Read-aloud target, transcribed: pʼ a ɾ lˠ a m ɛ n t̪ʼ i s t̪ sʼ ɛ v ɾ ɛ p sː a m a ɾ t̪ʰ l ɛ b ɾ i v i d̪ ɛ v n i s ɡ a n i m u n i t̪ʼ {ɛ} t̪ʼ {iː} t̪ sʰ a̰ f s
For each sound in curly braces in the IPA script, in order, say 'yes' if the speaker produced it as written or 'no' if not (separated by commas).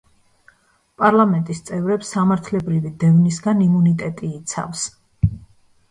yes, yes